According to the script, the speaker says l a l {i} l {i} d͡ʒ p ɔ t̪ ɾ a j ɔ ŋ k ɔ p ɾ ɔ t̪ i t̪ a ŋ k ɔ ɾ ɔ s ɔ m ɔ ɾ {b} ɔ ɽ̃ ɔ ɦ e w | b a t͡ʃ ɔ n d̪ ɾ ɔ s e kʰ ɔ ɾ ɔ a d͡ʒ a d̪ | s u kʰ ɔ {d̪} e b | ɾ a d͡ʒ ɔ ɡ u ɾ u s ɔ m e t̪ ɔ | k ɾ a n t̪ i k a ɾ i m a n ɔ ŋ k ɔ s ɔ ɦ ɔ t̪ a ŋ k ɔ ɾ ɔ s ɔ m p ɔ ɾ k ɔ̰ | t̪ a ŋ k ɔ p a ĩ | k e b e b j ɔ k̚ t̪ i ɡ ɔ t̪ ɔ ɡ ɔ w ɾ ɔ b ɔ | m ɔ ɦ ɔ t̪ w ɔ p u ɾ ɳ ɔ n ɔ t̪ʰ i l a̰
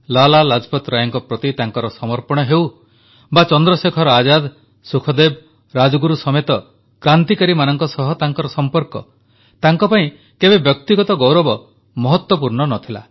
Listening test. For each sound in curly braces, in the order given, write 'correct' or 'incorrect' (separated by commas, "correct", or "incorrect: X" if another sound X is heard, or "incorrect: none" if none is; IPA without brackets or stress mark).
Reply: incorrect: a, incorrect: a, incorrect: p, correct